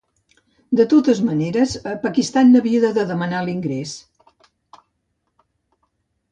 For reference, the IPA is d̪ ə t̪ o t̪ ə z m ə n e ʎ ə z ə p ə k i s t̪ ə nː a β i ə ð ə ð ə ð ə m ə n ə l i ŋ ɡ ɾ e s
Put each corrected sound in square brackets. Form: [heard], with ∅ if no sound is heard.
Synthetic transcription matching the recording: d̪ ə t̪ o t̪ ə z m ə n e [ɾ] ə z ə p ə k i s t̪ [a] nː [ə] β i ə ð ə ð ə ð ə m ə n [a] l i ŋ ɡ ɾ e s